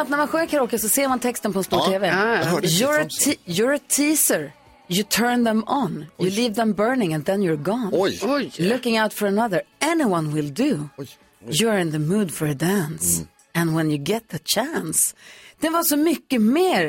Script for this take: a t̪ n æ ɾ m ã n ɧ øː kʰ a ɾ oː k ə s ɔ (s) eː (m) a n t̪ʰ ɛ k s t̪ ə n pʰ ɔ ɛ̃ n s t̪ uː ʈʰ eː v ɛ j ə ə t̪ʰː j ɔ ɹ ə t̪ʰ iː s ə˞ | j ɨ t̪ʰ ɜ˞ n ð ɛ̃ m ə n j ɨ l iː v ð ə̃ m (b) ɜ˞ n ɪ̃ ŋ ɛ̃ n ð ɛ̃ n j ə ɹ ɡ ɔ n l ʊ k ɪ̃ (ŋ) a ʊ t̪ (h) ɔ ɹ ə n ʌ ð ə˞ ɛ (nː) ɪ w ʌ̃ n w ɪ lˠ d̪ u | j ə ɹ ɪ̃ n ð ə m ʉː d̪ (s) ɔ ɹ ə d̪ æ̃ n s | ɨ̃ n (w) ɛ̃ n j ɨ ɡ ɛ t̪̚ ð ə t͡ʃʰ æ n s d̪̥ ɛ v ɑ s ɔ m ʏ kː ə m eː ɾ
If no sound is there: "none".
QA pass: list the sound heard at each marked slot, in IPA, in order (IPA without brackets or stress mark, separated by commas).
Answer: s, m, b, ŋ, f, n, f, w